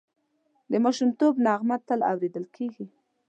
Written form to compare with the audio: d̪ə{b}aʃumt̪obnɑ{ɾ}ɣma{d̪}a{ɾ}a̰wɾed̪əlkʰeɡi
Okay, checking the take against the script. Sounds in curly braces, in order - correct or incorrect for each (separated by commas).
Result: incorrect, incorrect, incorrect, incorrect